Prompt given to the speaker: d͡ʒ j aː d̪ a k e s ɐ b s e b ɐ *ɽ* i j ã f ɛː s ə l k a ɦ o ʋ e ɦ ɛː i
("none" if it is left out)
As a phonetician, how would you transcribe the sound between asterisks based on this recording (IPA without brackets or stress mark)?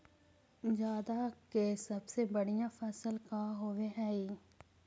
ɽ